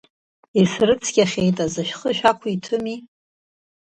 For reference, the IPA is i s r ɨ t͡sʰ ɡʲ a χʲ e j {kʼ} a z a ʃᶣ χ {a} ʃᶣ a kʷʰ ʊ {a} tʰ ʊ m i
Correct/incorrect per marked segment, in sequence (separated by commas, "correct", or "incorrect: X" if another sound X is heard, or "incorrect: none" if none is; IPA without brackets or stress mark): incorrect: tʼ, incorrect: ə, incorrect: i